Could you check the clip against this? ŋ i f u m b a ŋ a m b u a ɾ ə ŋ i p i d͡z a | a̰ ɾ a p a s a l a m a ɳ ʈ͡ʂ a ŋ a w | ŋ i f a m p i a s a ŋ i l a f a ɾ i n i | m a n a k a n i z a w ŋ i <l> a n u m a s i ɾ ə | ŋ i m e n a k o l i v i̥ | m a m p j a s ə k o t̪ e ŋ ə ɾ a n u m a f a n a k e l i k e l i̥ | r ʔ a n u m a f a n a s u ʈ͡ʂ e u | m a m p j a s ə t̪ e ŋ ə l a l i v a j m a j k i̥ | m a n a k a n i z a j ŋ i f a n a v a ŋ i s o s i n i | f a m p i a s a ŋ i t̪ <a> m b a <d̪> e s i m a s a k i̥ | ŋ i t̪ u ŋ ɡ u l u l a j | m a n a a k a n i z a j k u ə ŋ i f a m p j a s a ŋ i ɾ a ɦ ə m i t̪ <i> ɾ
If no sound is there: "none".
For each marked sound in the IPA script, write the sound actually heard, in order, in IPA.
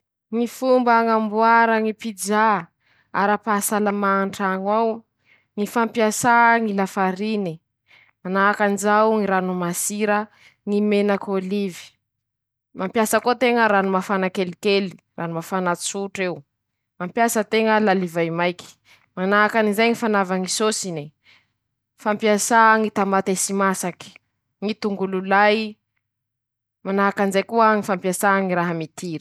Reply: ɾ, a, t̪, i

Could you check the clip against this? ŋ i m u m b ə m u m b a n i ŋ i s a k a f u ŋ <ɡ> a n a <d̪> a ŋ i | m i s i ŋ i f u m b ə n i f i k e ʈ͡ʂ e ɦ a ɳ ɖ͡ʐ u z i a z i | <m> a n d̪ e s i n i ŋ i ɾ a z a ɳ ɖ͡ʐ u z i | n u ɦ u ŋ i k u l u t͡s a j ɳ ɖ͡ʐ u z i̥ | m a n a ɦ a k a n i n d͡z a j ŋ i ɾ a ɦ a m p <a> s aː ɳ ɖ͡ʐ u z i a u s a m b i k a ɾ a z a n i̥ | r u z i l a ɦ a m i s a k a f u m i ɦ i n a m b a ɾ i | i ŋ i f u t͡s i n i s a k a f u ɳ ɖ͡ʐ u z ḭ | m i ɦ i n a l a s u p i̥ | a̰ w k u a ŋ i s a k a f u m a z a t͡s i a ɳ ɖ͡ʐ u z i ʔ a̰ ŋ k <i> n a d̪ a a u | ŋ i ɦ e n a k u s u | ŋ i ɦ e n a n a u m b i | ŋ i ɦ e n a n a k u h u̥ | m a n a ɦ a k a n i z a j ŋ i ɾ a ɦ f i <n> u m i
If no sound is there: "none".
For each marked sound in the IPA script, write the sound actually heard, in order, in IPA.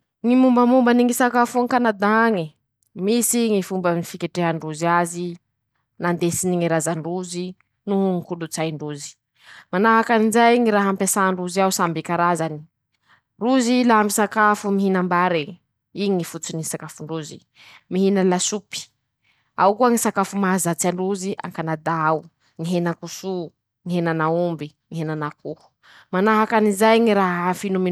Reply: k, d̪, n, e, a, n

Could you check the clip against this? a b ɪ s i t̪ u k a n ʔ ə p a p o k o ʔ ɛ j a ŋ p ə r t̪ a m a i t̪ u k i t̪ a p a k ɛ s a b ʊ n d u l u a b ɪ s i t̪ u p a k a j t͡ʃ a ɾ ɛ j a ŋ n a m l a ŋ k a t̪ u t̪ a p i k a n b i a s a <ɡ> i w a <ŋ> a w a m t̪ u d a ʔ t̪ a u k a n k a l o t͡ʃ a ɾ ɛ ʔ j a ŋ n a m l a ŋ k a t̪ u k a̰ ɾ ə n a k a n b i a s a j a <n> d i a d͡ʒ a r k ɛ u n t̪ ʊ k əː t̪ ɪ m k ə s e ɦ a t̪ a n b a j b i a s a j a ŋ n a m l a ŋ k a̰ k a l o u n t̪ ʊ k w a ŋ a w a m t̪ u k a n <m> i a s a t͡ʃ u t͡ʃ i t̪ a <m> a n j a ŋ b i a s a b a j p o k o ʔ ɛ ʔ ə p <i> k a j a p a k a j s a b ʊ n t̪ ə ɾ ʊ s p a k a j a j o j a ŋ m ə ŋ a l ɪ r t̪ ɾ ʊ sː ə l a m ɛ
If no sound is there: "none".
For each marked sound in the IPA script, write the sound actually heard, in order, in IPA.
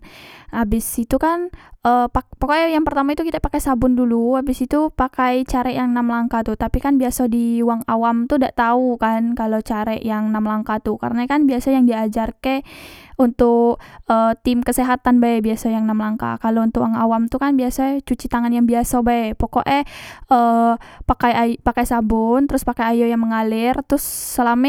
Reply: d, ŋ, ŋ, b, ŋ, a

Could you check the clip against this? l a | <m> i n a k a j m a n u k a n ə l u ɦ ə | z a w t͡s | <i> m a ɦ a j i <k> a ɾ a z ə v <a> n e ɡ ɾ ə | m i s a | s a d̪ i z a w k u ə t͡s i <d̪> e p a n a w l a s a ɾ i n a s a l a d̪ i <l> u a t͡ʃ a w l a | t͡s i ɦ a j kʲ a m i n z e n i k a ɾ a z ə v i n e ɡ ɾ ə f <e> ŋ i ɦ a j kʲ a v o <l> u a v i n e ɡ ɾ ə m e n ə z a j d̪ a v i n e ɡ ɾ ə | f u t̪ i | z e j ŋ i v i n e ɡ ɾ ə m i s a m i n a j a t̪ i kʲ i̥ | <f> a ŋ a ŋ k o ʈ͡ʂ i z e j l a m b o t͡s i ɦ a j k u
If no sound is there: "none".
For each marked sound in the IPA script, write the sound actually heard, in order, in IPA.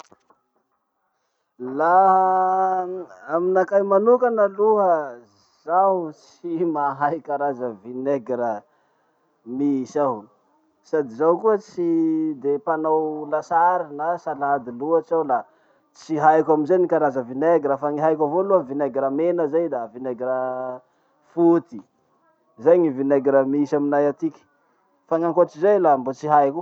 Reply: m, i, k, i, d̪, l, a, l, f

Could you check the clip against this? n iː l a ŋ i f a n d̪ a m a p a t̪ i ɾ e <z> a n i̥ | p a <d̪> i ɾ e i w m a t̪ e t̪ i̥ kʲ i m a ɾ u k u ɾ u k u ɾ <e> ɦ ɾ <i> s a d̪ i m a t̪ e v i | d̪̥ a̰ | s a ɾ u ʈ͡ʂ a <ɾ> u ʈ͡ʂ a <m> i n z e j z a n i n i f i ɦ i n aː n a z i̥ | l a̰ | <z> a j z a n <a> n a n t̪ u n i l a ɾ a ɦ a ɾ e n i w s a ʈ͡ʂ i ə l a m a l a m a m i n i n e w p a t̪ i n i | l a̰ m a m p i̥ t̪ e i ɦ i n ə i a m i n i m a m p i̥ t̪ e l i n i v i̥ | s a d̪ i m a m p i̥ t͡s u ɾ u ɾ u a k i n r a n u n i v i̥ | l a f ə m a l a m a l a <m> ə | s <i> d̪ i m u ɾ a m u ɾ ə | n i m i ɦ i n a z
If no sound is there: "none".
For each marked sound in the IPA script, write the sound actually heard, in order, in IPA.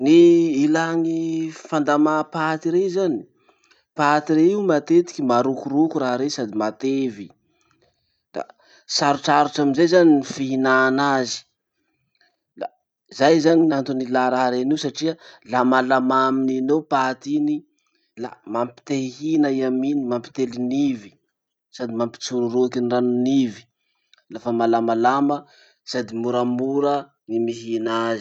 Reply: z, t̪, a, e, ɾ, m, z, i, m, a

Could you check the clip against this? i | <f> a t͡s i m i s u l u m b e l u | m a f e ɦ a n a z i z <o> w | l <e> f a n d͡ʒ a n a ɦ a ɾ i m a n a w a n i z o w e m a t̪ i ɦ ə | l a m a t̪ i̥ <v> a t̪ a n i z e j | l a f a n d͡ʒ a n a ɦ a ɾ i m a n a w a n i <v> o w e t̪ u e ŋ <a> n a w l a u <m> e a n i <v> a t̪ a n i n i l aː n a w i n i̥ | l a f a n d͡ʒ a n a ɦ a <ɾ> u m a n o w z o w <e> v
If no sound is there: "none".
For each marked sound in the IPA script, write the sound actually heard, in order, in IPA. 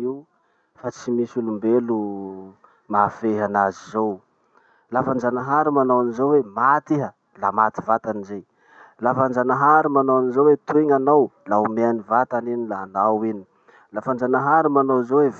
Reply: f, o, a, v, z, a, m, v, ɾ, e

